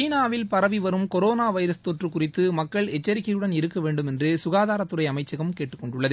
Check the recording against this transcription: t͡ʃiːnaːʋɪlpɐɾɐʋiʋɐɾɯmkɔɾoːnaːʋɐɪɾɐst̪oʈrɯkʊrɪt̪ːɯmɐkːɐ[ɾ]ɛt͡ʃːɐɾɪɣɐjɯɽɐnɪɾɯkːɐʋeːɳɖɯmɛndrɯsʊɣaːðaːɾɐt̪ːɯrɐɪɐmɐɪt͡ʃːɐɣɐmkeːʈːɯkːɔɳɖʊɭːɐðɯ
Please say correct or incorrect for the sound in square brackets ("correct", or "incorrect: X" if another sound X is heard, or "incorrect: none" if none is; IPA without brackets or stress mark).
incorrect: ɭ